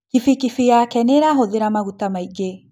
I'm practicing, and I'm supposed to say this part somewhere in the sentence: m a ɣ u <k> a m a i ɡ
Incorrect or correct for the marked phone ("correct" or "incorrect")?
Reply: incorrect